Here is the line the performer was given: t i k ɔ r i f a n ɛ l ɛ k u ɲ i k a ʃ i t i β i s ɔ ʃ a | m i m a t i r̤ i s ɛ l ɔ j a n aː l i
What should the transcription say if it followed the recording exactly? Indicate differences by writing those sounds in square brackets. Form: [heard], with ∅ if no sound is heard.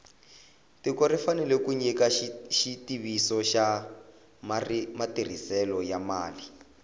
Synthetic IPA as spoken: t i k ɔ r i f a n ɛ l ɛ k u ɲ i k a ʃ i t i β i s ɔ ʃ a | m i m a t i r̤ i s ɛ l ɔ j a [m] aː l i